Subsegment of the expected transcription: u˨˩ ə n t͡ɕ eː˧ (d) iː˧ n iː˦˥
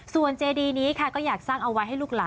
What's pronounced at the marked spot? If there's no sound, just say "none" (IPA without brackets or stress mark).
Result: d